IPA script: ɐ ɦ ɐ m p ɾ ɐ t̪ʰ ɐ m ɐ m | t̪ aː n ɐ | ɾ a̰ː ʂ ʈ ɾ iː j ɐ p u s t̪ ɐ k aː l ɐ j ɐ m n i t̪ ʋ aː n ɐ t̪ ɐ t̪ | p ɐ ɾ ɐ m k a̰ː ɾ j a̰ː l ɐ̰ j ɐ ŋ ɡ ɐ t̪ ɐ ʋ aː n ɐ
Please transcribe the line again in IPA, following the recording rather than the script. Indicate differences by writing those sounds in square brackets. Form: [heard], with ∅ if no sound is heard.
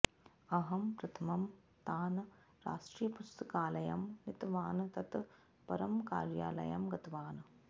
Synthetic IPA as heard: ɐ ɦ ɐ m p ɾ ɐ t̪ʰ ɐ m ɐ m | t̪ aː n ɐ | ɾ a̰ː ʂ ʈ ɾ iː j ɐ p u s t̪ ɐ k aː l ɐ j ɐ m n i t̪ ʋ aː n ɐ t̪ ɐ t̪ | p ɐ ɾ ɐ m k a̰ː ɾ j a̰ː l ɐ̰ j ɐ [m] ɡ ɐ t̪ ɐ ʋ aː n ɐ